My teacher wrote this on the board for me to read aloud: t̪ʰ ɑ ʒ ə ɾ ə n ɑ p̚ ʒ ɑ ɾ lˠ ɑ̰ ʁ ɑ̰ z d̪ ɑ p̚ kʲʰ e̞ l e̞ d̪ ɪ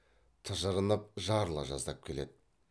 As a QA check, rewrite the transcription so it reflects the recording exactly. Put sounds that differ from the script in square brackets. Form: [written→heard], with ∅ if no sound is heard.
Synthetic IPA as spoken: t̪ʰ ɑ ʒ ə ɾ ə n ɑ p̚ ʒ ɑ ɾ lˠ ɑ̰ [ʁ→ʒ] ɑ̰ z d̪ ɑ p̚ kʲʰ e̞ l e̞ d̪ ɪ

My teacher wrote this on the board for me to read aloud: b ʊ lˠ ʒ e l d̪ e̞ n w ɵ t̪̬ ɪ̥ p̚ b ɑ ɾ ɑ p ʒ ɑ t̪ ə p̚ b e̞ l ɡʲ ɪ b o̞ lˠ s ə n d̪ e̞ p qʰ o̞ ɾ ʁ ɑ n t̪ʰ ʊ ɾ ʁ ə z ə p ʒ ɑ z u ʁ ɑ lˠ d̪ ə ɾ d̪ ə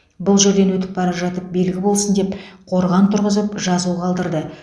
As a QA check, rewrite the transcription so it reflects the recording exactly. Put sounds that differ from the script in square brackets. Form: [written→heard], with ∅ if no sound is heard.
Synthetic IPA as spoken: b ʊ lˠ ʒ e [l→ɾ] d̪ e̞ n w ɵ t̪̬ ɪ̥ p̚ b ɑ ɾ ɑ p ʒ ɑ t̪ ə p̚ b e̞ l ɡʲ ɪ b o̞ lˠ s ə n d̪ e̞ p qʰ o̞ ɾ ʁ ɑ n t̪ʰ ʊ ɾ ʁ ə z ə p ʒ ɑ z u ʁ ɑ lˠ d̪ ə ɾ d̪ ə

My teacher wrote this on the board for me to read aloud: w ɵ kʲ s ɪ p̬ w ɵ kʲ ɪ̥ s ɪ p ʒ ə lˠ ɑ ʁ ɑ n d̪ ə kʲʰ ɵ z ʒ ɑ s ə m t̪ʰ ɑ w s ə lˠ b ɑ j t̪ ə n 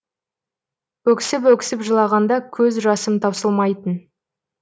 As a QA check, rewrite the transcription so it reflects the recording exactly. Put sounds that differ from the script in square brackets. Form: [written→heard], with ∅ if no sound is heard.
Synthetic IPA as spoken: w ɵ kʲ s ɪ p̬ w ɵ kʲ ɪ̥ s ɪ p ʒ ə lˠ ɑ ʁ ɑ n d̪ [ə→ɑ] kʲʰ ɵ z ʒ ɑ s ə m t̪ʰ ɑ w s ə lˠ [b→m] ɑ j t̪ ə n

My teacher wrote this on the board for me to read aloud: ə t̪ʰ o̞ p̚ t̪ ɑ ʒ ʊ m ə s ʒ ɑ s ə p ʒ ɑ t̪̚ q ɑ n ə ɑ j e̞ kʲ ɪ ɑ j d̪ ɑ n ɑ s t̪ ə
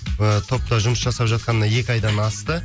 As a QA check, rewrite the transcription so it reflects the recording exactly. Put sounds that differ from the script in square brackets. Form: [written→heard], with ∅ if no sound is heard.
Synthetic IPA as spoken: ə t̪ʰ o̞ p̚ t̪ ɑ ʒ ʊ m ə s ʒ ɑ s [ə→ɑ] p ʒ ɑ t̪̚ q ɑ n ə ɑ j e̞ kʲ ɪ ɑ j d̪ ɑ n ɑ s t̪ ə

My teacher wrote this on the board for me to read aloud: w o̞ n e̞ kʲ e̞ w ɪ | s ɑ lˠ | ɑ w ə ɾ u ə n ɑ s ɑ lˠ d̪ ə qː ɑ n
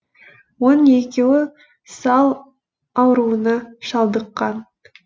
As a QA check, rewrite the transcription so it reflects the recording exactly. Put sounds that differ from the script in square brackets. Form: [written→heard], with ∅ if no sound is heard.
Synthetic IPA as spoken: w o̞ n e̞ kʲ e̞ w ɪ | s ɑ lˠ | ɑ w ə ɾ u ə n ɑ [s→ʃ] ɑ lˠ d̪ ə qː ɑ n

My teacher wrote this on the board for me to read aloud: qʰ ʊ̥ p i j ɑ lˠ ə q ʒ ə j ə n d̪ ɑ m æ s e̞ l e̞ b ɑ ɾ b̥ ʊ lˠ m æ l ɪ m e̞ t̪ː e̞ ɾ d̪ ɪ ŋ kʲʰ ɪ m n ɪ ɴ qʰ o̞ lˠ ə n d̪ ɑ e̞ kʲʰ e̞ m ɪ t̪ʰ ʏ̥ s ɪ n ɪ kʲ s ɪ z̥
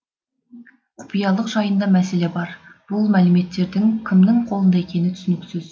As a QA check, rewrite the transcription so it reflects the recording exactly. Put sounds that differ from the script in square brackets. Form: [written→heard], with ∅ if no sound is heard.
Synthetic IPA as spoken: qʰ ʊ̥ p i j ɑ lˠ ə q ʒ [ə→ɑ] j ə n d̪ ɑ m æ s e̞ l e̞ b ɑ ɾ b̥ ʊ lˠ m æ l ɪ m e̞ t̪ː e̞ ɾ d̪ ɪ ŋ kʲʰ ɪ m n ɪ [ɴ→ŋ] qʰ o̞ lˠ ə n d̪ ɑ e̞ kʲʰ e̞ [m→n] ɪ t̪ʰ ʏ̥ s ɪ n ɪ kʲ s ɪ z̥

